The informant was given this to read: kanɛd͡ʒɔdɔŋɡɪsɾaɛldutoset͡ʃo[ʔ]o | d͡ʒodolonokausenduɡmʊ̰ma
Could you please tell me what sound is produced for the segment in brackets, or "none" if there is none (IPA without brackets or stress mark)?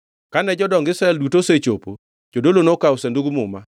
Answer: p